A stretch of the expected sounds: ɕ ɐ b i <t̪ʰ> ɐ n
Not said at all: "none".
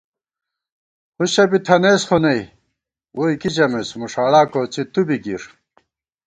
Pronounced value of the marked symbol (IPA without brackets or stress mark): t̪ʰ